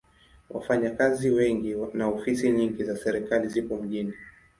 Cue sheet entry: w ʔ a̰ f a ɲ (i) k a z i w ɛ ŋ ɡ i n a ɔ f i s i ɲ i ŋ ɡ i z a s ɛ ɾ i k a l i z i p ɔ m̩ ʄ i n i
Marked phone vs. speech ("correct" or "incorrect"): incorrect